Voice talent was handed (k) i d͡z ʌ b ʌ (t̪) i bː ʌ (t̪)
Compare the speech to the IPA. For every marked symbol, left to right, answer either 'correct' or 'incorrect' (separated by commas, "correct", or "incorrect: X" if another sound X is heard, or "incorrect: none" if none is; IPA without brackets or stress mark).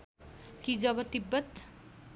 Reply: correct, correct, correct